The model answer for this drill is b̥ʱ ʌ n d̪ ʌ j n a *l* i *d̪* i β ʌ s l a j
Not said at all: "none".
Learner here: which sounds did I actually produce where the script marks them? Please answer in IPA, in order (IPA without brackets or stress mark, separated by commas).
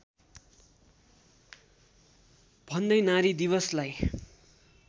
ɾ, d̪